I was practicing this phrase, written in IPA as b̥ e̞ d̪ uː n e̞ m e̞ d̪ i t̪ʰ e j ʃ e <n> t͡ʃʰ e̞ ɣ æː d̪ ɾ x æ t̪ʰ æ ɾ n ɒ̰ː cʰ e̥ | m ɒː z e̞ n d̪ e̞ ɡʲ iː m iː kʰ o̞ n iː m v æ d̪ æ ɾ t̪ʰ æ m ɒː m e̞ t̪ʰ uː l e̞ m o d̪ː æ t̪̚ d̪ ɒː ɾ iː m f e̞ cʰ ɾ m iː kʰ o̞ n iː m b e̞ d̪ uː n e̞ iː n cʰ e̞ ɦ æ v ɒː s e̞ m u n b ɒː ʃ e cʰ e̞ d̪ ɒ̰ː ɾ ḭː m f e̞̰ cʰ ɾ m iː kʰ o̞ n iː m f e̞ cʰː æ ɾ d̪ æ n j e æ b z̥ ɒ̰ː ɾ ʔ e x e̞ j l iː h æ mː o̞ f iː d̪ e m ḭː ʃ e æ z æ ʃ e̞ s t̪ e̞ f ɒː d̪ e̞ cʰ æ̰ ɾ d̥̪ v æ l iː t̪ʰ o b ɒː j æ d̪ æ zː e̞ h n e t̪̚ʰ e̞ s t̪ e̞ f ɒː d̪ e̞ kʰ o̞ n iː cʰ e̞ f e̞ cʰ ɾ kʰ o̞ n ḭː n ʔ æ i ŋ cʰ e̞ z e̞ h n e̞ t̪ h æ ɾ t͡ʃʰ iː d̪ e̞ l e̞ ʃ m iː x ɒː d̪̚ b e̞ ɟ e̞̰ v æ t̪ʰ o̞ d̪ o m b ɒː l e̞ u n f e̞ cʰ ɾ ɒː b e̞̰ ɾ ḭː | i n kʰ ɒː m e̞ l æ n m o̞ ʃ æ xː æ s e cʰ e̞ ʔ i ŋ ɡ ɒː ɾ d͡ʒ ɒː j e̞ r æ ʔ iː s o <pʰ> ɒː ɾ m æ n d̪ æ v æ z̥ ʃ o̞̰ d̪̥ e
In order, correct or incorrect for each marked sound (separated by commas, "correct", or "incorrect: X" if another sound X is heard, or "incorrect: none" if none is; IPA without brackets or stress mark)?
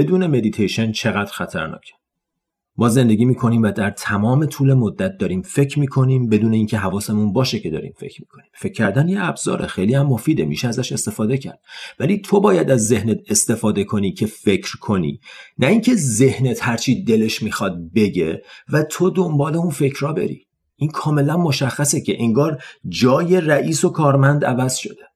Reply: correct, incorrect: kʰ